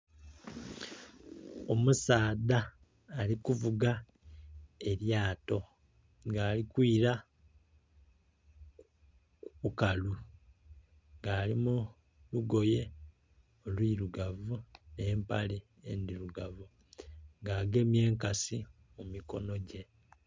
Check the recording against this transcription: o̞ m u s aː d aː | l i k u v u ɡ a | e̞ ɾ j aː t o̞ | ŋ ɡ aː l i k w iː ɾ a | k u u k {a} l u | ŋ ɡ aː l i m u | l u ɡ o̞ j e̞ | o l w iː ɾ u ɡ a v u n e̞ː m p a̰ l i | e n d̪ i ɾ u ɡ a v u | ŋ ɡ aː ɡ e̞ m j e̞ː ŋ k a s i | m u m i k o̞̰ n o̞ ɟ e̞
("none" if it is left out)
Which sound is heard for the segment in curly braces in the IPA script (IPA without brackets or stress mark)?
a